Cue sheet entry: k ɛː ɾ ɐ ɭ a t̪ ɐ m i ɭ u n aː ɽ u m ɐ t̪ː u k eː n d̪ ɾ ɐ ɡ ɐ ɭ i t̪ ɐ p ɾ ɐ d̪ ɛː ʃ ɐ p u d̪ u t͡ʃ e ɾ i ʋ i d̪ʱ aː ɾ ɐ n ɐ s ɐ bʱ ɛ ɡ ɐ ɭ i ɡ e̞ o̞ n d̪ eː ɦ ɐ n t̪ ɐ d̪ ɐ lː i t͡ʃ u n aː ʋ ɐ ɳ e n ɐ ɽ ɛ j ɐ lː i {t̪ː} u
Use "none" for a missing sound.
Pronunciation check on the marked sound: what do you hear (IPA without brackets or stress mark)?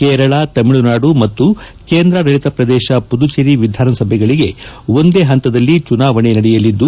d̪ː